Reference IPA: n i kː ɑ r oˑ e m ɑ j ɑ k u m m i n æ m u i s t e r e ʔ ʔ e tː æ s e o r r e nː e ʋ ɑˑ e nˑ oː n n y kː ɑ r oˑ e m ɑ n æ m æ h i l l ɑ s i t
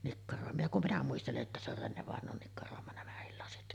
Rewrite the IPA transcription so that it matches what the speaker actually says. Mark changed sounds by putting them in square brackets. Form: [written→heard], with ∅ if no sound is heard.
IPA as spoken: n i kː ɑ r oˑ e m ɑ j ɑ k u m m i n æ m u i s t e [r→l] e ʔ ʔ e tː æ s e o r r e nː e ʋ ɑˑ e nˑ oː n n [y→i] kː ɑ r oˑ e m ɑ n æ m æ h i l l ɑ s i t